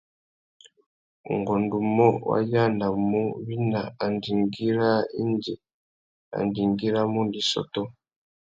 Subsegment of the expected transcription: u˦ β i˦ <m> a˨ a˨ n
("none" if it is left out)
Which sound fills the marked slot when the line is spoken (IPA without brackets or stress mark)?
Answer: n